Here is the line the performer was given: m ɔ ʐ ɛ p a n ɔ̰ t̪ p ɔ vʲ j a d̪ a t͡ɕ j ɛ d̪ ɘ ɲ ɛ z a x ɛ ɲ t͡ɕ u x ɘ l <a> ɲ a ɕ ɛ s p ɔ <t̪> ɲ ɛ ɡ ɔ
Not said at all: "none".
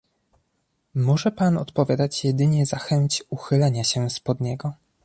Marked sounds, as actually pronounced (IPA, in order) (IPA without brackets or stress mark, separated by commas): ɛ, d̪